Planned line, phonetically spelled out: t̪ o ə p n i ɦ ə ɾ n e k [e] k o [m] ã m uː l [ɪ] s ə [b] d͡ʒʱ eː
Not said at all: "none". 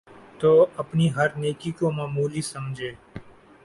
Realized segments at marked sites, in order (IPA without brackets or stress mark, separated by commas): i, m, i, m